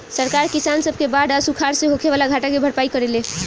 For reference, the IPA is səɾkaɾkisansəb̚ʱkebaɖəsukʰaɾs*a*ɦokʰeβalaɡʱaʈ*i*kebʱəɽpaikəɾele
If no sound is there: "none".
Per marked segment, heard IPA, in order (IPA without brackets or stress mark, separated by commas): e, a